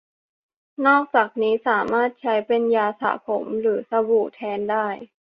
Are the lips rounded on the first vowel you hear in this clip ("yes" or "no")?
yes